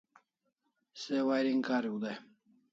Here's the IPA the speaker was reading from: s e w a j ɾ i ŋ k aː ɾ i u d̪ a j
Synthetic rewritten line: s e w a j ɾ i ŋ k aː ɾ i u d̪ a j